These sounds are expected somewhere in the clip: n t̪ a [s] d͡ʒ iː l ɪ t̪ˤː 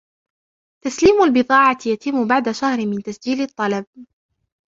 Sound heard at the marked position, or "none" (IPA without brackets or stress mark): s